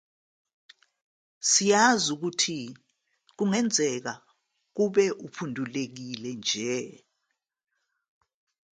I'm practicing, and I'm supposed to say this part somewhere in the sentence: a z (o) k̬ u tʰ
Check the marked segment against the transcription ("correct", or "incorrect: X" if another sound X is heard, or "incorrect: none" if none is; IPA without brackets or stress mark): incorrect: u